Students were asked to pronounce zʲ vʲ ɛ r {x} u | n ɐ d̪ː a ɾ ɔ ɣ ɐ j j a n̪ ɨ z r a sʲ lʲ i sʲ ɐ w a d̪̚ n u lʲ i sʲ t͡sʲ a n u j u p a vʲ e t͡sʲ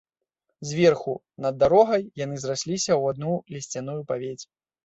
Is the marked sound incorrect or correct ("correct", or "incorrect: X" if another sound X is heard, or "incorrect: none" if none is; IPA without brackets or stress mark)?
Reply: correct